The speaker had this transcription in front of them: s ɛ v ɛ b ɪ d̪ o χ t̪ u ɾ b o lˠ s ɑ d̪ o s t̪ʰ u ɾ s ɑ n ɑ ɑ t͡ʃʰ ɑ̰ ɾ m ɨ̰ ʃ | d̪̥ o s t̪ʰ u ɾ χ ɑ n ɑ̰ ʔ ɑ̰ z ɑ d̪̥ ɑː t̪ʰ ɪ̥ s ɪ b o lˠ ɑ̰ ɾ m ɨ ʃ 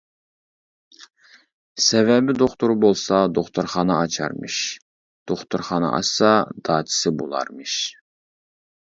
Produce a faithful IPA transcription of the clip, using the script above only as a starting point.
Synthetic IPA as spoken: s ɛ v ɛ b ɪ d̪ o χ t̪ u ɾ b o lˠ s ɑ d̪ o χ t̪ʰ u ɾ χ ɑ n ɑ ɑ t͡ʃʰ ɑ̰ ɾ m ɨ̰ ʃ | d̪̥ o χ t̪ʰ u ɾ χ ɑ n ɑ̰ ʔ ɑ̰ s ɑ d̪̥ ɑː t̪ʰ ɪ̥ s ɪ b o lˠ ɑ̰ ɾ m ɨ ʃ